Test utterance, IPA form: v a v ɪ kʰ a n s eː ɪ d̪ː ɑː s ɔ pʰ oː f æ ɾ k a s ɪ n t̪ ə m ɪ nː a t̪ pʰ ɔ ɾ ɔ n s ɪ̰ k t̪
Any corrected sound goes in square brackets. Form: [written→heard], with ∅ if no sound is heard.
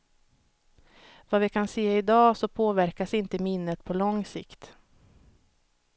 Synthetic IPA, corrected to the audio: v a v ɪ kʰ a n s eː ɪ [d̪ː→d̪] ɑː s ɔ pʰ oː [f→v] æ ɾ k a s ɪ n t̪ ə m ɪ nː [a→ə] t̪ pʰ ɔ [ɾ→l] ɔ [n→ŋ] s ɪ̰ k t̪